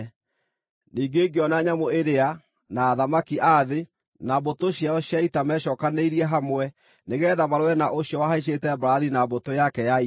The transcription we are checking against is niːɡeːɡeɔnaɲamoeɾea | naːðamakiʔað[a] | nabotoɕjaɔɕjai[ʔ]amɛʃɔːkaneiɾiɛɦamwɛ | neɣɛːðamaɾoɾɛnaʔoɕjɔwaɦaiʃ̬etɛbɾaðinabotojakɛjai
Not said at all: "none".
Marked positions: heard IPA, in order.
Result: e, t

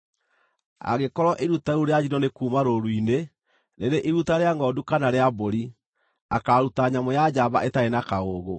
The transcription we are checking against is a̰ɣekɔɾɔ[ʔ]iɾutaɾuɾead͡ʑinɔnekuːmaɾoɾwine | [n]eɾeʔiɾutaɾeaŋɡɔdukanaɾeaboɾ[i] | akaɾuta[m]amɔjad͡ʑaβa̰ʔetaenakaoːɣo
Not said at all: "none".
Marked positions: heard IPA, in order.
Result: ʔ, n, i, ɲ

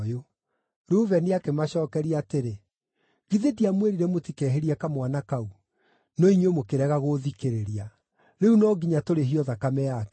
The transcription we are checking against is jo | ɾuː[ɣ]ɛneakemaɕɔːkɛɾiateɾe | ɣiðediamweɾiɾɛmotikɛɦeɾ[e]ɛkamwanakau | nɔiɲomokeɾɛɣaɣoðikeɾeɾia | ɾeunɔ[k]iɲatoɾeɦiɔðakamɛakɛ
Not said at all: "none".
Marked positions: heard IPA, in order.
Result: v, i, ɡ

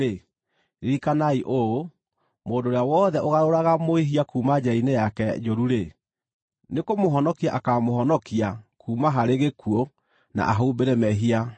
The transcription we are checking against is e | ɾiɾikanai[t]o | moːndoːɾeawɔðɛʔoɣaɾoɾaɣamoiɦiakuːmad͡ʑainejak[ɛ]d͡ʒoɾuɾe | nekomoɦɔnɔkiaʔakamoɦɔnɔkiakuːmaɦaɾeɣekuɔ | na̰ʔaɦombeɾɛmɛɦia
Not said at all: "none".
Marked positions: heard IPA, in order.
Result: ʔ, ɛ

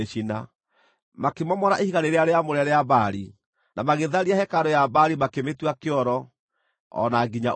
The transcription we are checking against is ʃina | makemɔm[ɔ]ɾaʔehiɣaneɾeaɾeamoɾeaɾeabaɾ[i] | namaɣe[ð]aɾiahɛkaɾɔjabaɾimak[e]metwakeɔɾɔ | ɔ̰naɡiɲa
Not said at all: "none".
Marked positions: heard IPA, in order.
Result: ɔ, i, ð, e

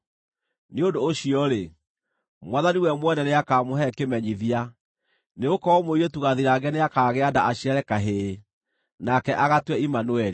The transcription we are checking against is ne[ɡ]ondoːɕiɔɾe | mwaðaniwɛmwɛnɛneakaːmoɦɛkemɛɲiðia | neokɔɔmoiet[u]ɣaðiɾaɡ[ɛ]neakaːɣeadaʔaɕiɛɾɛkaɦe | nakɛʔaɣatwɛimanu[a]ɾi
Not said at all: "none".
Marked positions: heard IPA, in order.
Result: none, u, ɛ, ɛ

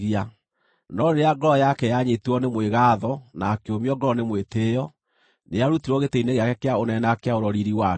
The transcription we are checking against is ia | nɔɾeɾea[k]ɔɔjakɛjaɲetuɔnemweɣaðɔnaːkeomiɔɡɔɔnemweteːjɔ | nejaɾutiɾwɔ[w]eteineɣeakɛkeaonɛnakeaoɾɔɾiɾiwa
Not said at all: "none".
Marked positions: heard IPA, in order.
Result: ɡ, ɣ

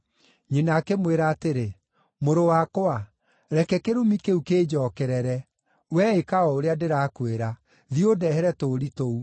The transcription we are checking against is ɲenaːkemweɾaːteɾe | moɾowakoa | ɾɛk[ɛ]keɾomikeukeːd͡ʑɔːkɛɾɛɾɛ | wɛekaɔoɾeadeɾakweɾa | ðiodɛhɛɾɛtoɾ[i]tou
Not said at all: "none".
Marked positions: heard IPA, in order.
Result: ɛ, i

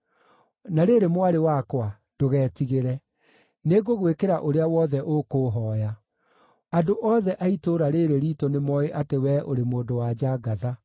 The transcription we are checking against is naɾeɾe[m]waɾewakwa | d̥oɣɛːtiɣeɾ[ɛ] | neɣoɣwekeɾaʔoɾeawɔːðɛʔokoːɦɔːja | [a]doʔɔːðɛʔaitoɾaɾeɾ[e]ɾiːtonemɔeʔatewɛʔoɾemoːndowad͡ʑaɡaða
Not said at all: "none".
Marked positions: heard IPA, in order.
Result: m, ɛ, a, e

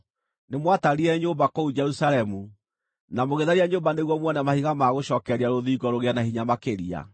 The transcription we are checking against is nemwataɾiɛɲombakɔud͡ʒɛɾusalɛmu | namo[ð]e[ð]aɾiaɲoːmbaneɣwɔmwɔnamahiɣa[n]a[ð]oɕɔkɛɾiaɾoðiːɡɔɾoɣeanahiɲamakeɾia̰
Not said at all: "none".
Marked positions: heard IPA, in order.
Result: ɣ, ð, m, ɣ

